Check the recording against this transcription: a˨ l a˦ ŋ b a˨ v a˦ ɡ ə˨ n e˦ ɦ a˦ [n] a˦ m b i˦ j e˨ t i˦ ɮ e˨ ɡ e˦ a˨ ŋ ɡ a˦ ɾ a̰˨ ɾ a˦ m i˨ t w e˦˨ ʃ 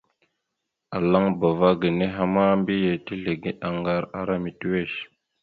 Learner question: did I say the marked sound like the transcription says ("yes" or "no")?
no